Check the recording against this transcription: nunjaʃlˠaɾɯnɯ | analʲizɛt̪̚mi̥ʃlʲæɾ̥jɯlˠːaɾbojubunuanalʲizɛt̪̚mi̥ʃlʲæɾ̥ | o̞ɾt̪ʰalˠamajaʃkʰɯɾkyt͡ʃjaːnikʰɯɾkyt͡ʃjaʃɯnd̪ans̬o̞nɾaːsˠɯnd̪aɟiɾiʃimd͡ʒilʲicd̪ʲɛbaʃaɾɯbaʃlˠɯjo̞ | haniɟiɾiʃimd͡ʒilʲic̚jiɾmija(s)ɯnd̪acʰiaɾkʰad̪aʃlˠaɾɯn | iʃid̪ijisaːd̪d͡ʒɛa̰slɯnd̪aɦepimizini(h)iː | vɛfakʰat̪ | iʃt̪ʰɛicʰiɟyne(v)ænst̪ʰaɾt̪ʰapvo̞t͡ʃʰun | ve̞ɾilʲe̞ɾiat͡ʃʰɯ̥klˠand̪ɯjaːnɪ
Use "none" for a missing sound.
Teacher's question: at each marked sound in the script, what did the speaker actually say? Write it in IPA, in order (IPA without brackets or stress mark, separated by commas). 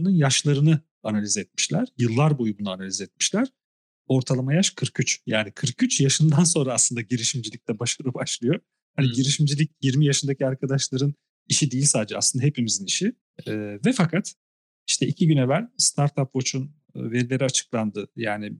ʃ, ʃ, v